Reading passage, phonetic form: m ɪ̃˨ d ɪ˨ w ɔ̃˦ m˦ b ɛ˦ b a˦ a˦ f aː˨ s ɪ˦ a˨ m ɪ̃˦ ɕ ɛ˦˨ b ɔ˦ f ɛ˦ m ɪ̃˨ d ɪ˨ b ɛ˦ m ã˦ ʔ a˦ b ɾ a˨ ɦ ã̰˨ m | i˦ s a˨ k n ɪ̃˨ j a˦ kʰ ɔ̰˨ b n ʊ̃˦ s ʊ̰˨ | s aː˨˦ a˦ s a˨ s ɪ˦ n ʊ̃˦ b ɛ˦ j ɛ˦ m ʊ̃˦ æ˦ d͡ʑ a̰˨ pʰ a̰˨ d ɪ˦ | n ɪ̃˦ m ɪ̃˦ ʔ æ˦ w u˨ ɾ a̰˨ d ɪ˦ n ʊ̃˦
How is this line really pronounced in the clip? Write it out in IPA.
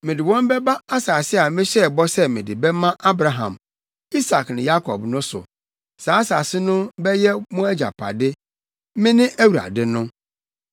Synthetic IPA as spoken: m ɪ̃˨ d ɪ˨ w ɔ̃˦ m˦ b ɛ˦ b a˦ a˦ s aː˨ s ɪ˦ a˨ m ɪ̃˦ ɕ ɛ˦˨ b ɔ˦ s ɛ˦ m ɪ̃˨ d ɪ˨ b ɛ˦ m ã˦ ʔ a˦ b ɾ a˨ ɦ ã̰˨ m | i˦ s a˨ k n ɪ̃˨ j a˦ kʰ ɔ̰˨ b n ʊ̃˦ s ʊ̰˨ | s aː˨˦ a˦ s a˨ s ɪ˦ n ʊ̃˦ b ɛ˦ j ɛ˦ m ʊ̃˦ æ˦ d͡ʑ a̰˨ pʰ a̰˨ d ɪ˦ | m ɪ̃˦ n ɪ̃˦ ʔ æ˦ w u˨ ɾ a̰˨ d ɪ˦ n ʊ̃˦